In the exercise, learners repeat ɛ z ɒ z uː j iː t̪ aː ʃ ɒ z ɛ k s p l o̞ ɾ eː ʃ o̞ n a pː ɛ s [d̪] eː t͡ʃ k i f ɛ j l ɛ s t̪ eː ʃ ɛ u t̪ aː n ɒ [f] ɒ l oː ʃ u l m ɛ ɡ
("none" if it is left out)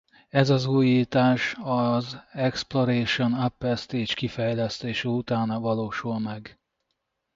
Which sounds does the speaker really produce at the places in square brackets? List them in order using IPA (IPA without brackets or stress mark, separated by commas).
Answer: t̪, v